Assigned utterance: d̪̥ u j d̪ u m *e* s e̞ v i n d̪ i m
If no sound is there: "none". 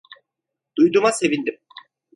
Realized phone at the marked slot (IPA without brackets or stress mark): a